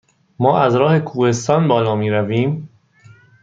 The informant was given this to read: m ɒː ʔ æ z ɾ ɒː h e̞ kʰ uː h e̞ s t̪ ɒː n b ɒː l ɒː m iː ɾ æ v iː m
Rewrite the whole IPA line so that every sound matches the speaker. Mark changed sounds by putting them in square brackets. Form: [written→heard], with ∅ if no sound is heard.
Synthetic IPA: m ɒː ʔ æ z ɾ ɒː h e̞ kʰ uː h e̞ s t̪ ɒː n b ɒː l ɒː m iː ɾ æ v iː m